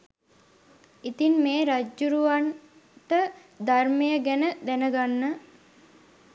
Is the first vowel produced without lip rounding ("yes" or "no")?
yes